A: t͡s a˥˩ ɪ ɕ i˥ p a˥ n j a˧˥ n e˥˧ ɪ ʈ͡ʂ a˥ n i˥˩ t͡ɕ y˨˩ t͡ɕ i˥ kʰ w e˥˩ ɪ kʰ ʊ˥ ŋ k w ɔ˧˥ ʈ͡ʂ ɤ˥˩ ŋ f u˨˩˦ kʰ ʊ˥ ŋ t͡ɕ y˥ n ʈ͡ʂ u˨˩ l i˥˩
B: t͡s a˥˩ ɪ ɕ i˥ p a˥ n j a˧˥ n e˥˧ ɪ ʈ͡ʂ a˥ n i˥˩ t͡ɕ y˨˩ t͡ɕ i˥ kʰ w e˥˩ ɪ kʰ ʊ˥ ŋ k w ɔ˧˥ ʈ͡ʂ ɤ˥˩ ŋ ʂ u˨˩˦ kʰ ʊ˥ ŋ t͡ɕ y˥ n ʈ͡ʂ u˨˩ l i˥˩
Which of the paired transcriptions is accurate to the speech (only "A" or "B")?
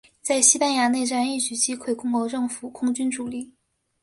A